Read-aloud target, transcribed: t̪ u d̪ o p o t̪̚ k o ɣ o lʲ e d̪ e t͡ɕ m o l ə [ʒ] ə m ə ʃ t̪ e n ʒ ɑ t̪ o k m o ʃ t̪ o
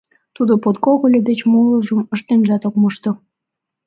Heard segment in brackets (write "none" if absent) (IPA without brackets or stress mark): ʒ